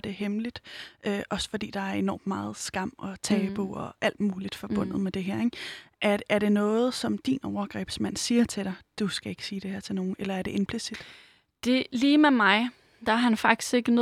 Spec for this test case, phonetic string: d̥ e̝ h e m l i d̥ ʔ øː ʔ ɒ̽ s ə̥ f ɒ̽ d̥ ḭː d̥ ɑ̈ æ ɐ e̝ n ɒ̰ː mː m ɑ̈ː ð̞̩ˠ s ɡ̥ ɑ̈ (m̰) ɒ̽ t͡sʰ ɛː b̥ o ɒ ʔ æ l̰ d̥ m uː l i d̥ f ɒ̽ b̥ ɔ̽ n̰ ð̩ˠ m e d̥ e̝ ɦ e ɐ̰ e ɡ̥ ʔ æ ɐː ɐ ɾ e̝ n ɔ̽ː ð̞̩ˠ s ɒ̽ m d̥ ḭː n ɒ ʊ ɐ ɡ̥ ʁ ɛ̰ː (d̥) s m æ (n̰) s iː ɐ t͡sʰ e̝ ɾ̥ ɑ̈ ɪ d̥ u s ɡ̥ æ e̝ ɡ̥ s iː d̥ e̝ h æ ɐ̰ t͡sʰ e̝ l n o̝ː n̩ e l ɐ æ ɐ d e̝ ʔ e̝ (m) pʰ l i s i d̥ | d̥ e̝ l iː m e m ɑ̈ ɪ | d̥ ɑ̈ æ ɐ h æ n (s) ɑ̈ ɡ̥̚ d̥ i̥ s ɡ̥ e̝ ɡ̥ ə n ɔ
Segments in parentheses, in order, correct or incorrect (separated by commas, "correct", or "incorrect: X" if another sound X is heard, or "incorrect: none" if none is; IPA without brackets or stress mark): correct, incorrect: b̥, correct, incorrect: n, incorrect: f